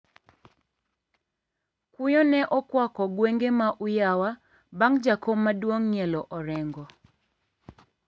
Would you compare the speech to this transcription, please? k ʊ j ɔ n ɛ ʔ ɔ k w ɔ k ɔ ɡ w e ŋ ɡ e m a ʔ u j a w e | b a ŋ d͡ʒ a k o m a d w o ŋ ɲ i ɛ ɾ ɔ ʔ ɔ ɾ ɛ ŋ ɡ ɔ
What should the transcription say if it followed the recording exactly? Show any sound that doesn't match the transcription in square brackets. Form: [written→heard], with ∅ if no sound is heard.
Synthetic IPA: k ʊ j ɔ n ɛ ʔ ɔ k w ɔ k ɔ ɡ w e ŋ ɡ e m a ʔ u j a w [e→a] | b a ŋ d͡ʒ a k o m a d w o ŋ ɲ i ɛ [ɾ→l] ɔ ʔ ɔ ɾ ɛ ŋ ɡ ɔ